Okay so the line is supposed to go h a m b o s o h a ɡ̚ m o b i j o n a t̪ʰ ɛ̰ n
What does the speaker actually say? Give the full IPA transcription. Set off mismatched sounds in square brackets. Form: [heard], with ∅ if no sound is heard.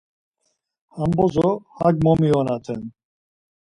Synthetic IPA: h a m b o [z] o h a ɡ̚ m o [m] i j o n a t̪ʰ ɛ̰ n

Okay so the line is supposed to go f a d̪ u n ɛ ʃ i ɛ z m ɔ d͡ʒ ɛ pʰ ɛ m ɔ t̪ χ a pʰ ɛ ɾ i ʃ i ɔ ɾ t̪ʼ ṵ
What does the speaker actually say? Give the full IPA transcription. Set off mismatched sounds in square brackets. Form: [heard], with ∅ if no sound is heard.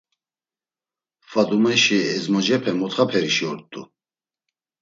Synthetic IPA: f a d̪ u [m] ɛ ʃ i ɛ z m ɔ d͡ʒ ɛ pʰ ɛ m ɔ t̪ χ a pʰ ɛ ɾ i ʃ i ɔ ɾ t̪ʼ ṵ

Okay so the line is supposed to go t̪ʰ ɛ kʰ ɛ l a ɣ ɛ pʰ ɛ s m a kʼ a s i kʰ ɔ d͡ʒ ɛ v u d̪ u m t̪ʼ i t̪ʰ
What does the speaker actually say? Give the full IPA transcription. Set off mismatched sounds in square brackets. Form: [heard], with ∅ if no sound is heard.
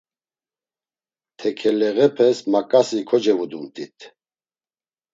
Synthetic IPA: t̪ʰ ɛ kʰ ɛ l [ɛ] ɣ ɛ pʰ ɛ s m a kʼ a s i kʰ ɔ d͡ʒ ɛ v u d̪ u m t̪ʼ i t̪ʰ

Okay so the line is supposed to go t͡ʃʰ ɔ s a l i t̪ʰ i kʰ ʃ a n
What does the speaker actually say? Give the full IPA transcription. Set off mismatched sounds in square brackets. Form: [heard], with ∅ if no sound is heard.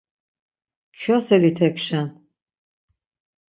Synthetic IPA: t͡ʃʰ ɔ s [ɛ] l i t̪ʰ [ɛ] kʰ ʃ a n

